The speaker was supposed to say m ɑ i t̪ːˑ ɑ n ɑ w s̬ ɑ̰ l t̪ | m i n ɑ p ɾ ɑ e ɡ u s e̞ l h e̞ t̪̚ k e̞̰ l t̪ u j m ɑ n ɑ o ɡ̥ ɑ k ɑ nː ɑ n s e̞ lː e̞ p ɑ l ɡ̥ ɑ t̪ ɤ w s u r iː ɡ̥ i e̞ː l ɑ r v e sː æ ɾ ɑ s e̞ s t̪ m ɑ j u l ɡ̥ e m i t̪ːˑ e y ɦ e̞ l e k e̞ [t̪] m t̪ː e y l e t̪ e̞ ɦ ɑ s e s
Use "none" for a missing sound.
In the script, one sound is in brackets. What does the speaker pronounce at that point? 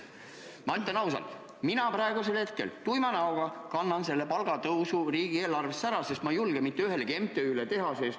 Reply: none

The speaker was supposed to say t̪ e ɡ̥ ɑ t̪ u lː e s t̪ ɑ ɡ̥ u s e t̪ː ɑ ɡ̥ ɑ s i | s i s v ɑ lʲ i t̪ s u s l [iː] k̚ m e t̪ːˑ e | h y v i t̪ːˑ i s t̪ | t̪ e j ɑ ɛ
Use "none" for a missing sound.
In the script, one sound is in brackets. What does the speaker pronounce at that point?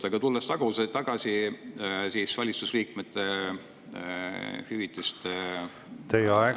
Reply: iː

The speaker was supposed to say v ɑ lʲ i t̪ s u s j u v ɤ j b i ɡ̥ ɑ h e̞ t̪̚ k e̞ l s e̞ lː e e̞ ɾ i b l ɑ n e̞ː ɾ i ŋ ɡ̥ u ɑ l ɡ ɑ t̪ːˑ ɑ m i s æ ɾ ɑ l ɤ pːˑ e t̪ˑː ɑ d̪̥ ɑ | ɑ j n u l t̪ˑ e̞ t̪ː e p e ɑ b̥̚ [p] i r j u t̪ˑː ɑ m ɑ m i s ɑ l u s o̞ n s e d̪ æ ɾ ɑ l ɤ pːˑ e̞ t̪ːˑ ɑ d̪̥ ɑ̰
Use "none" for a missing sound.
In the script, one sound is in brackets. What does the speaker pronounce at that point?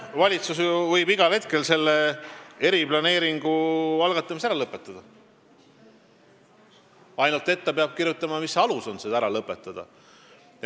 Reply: k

